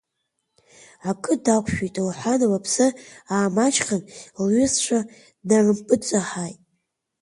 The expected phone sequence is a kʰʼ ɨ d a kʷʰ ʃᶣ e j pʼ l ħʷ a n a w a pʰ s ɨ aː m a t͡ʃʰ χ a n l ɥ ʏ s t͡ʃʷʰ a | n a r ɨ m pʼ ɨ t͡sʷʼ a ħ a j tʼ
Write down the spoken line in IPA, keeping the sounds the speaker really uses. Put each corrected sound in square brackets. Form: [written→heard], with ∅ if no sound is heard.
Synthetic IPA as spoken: a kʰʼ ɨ d a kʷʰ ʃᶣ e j [pʼ→tʼ] l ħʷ a n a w a pʰ s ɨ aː m a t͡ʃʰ χ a n l ɥ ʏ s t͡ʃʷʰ a | n a r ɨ m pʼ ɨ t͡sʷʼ a ħ a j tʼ